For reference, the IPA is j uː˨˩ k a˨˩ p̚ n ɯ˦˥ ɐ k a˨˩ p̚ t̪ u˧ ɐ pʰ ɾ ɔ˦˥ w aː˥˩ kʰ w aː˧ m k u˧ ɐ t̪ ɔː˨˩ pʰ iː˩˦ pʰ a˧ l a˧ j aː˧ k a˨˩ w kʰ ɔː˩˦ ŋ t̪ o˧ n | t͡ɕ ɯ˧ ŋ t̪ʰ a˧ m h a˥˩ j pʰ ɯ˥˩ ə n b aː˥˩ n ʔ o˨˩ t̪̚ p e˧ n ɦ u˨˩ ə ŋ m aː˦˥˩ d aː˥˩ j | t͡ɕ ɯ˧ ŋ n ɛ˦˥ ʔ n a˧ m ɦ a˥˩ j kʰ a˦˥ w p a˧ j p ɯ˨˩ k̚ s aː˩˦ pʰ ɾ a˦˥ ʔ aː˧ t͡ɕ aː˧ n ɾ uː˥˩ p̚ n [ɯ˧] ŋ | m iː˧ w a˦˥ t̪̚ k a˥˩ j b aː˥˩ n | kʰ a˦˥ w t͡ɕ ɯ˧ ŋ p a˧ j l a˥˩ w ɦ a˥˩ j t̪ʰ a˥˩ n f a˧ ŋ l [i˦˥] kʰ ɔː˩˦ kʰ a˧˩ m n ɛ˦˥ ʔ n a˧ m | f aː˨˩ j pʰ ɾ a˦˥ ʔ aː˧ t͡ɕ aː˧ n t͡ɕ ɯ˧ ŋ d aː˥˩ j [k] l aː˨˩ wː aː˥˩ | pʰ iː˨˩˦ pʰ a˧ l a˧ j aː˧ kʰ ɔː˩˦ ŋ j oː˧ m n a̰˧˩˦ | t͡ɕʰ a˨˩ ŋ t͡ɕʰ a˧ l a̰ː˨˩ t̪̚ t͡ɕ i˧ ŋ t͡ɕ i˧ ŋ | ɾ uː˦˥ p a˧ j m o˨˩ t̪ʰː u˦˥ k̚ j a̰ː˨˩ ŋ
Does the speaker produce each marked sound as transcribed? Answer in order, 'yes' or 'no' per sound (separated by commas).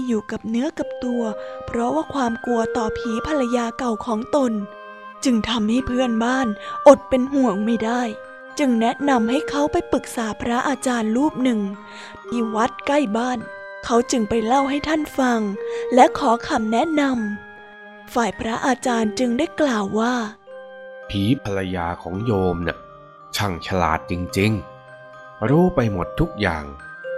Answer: no, no, yes